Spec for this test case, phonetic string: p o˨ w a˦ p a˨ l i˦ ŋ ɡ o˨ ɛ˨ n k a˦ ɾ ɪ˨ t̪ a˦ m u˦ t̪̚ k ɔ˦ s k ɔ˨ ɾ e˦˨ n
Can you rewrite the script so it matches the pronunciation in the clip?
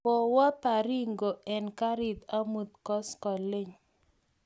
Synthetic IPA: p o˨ w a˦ p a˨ ɾ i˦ ŋ ɡ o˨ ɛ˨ n k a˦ ɾ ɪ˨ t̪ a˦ m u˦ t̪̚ k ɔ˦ s k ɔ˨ l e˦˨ ɲ